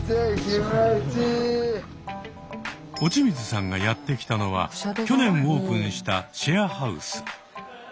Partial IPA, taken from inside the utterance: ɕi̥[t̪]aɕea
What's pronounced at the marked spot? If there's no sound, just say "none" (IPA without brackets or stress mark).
t̪